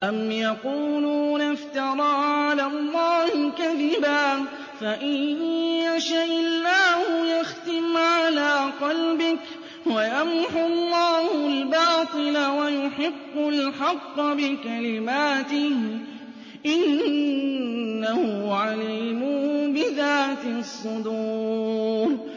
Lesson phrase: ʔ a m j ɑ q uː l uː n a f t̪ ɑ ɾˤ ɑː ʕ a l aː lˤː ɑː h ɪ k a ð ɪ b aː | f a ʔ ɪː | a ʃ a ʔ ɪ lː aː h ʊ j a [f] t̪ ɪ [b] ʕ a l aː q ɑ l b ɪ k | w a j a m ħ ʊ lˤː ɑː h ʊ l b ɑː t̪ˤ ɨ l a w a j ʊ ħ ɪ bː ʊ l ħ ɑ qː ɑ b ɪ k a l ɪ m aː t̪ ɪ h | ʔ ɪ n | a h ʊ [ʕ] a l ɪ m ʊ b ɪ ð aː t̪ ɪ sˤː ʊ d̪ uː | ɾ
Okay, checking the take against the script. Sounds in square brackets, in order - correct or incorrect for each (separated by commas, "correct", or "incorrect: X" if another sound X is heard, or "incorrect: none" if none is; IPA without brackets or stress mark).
incorrect: x, incorrect: m, correct